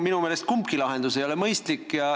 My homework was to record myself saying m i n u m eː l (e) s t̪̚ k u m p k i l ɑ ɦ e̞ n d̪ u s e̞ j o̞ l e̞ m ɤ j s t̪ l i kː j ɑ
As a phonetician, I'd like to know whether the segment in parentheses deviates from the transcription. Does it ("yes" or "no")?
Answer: no